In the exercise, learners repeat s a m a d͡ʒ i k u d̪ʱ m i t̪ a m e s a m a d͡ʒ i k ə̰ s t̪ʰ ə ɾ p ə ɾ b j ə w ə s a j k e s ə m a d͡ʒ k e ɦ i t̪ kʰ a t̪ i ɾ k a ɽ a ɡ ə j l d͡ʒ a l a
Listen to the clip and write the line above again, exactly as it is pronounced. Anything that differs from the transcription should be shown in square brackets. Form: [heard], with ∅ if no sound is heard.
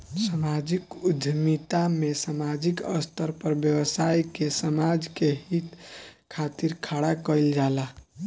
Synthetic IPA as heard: s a m a d͡ʒ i k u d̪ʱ m i t̪ a m e s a m a d͡ʒ i k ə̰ s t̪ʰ ə ɾ p ə ɾ b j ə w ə s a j k e s ə m a d͡ʒ k e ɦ i t̪ kʰ a t̪ i ɾ [kʰ] a ɽ a [k] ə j l d͡ʒ a l a

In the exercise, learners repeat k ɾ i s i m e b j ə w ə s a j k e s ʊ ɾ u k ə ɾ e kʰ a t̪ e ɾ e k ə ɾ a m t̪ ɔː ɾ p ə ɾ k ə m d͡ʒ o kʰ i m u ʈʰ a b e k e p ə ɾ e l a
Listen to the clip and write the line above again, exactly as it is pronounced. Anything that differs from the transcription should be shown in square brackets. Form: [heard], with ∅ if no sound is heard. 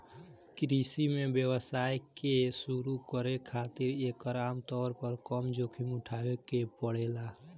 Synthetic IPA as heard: k ɾ i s i m e b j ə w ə s a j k e s [u] ɾ u k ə ɾ e kʰ a t̪ [i] ɾ e k ə ɾ a m t̪ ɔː ɾ p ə ɾ k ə m d͡ʒ o kʰ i m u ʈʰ a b e k e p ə [ɽ] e l a

